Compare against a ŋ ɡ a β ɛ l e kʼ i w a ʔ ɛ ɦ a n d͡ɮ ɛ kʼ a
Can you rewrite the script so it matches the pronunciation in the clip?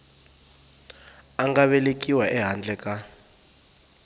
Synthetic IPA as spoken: a ŋ ɡ a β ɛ l e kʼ i w a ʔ ɛ ɦ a n d͡ɮ ɛ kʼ a